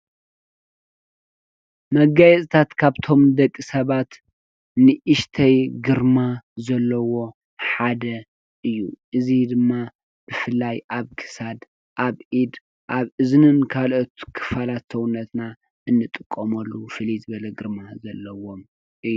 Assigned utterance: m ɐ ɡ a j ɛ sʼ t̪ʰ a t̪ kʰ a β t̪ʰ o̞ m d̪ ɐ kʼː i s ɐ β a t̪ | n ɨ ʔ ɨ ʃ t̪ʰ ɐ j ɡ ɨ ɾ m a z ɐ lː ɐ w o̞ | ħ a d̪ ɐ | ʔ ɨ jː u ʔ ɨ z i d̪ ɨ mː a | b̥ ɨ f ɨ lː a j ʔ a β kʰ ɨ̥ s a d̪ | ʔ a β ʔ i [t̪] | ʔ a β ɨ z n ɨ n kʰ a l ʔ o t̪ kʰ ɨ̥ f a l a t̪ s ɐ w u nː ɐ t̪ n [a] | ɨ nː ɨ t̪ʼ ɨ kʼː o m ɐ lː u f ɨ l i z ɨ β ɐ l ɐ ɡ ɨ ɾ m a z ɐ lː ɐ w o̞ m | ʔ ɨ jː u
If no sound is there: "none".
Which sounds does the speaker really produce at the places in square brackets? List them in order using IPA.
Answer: d̪, a

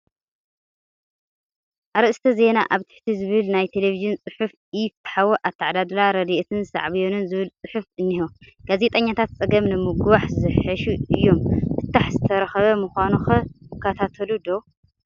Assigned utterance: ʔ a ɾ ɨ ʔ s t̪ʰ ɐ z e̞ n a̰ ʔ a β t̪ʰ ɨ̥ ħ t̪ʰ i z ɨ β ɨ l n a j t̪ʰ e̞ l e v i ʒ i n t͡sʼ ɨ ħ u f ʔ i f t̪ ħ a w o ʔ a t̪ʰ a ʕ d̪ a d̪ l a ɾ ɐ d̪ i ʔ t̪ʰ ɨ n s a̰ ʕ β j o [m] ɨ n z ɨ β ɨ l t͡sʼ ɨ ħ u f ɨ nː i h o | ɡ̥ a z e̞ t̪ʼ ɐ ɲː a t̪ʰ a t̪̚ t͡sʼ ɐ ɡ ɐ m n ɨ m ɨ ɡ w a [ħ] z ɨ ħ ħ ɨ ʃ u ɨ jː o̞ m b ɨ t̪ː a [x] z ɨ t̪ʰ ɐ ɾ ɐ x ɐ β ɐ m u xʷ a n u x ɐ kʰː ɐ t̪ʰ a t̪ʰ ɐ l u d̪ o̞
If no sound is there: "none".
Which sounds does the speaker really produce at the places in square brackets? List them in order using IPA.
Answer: n, ħ, ħ

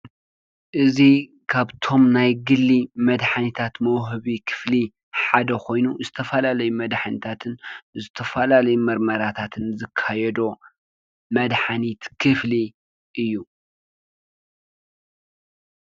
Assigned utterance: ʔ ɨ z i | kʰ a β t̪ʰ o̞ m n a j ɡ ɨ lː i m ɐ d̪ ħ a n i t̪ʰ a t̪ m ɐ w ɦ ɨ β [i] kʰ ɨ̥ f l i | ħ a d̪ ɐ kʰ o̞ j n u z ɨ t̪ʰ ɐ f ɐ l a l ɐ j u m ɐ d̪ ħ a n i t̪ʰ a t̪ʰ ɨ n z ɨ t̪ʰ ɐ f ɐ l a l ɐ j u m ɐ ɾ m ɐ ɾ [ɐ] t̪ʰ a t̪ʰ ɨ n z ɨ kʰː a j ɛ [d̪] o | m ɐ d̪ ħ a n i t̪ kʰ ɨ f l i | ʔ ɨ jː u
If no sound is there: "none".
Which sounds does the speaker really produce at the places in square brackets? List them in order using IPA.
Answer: i, a, d̪

